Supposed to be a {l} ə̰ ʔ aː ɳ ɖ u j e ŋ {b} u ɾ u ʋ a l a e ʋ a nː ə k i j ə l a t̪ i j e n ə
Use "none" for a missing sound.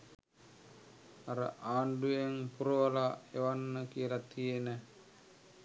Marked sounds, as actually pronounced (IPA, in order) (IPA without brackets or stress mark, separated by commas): ɾ, p